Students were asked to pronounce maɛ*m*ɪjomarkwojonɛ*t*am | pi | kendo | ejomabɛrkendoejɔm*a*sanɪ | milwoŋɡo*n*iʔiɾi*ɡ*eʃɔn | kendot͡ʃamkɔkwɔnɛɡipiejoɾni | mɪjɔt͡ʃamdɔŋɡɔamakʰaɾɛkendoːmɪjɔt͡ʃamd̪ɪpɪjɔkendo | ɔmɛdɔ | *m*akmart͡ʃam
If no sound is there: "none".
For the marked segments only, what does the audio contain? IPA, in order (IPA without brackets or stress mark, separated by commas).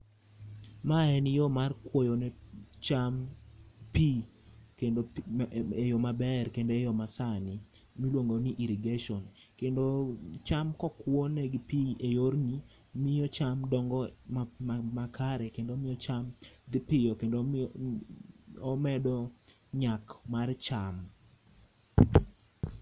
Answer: n, t͡ʃ, a, n, ɡ, ɲ